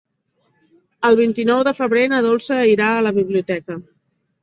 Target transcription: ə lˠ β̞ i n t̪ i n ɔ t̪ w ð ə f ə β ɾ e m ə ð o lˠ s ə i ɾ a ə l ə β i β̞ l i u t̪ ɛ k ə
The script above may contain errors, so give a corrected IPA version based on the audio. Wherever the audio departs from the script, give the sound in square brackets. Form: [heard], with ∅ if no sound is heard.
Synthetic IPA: ə lˠ β̞ i n t̪ i n ɔ [∅] w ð ə f ə β ɾ e [n] ə ð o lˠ s ə i ɾ a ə l ə β i β̞ l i u t̪ ɛ k ə